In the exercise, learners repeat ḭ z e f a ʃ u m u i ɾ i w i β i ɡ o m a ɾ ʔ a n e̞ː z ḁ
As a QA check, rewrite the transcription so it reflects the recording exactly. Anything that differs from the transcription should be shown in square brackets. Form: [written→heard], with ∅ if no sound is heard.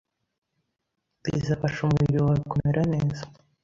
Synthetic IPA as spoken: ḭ z [e→a] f a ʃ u m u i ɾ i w [i→a] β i [ɡ→k] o m [a→e] ɾ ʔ a n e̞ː z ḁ